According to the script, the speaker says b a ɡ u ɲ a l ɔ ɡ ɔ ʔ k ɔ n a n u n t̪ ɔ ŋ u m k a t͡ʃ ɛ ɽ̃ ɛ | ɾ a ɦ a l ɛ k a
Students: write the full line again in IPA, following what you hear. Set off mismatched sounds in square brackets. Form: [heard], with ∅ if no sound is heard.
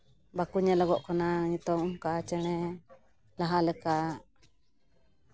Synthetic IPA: b a [k] u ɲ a l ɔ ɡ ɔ ʔ k ɔ n a [ɲ] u [∅] t̪ ɔ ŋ u m k a t͡ʃ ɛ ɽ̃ ɛ | [l] a ɦ a l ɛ k a